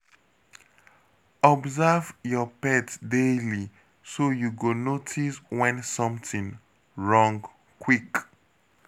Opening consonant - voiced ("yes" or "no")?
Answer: yes